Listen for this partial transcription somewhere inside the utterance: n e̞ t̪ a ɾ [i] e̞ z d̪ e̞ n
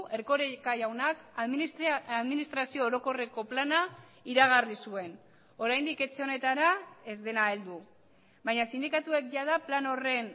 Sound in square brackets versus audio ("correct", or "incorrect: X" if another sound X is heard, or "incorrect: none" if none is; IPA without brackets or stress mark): incorrect: a